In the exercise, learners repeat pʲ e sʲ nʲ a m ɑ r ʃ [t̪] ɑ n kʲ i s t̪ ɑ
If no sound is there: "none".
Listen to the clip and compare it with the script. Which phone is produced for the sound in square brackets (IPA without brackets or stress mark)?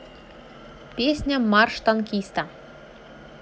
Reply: t̪